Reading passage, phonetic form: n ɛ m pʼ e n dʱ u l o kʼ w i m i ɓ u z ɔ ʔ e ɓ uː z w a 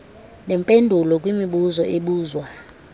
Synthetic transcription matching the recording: n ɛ m pʼ e n dʱ u l ɔ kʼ w i m i ɓ u z ɔ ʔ e ɓ uː z w a